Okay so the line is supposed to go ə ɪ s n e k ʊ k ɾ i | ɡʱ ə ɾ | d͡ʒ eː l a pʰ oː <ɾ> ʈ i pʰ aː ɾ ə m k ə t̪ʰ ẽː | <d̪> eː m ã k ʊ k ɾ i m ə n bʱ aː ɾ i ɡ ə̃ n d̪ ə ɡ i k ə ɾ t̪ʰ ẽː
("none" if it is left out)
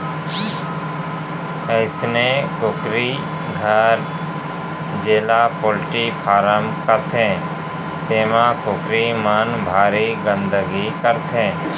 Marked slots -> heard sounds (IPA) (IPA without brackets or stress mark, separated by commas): l, t̪